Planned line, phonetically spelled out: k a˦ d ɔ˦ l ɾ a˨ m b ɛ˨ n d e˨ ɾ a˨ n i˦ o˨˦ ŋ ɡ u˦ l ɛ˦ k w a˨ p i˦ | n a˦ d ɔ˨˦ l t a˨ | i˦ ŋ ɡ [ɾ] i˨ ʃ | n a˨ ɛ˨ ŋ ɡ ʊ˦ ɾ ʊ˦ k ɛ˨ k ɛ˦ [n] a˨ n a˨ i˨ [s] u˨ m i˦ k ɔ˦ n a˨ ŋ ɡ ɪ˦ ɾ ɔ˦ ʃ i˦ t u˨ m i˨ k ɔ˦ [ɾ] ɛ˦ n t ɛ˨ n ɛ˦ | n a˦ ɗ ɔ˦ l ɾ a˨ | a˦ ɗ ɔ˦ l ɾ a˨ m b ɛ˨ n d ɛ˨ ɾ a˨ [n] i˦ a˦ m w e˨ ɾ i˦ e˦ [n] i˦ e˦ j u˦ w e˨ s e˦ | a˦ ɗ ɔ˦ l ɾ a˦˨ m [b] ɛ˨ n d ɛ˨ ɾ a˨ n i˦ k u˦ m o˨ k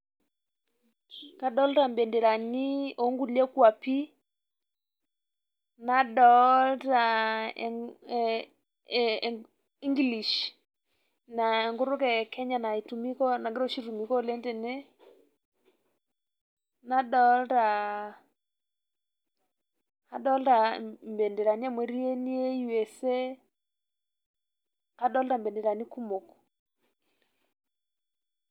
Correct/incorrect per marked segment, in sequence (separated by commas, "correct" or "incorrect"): incorrect, incorrect, incorrect, incorrect, correct, correct, correct